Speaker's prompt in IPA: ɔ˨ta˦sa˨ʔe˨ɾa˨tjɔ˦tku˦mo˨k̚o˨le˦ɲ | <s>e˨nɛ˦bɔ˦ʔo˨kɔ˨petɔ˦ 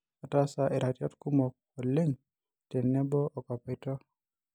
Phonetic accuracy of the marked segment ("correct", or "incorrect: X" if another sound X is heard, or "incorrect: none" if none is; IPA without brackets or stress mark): incorrect: t